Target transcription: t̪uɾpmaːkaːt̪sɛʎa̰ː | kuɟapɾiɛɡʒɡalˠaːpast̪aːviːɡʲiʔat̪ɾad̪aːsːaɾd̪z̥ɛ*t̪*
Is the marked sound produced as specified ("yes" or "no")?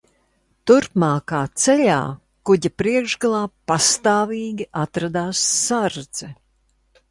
no